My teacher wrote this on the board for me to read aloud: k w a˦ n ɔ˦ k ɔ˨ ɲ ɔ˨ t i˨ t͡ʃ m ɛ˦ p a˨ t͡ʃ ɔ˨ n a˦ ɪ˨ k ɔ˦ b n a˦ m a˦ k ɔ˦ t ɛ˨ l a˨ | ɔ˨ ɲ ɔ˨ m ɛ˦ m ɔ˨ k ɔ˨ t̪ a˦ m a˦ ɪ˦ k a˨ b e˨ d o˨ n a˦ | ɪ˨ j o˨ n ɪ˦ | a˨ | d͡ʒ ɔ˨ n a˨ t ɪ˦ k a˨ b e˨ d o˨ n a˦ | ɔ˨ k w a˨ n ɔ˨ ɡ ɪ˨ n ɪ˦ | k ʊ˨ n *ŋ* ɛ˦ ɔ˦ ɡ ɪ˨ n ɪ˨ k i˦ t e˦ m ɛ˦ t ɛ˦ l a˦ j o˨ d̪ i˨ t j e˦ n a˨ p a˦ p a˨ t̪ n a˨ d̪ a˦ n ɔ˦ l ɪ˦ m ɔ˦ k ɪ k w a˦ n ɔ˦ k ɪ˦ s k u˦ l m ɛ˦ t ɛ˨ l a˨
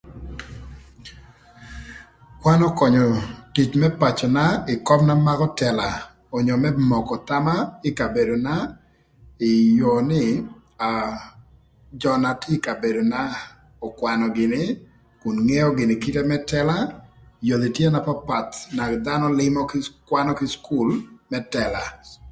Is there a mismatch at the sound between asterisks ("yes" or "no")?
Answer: no